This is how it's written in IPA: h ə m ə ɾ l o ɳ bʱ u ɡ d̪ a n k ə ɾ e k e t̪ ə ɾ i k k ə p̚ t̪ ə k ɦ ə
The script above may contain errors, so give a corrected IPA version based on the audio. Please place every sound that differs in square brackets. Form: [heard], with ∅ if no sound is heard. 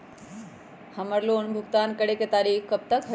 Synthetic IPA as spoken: h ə m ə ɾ l o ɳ bʱ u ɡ [t̪] a n k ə [ɽ] e k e t̪ [a] ɾ i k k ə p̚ t̪ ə k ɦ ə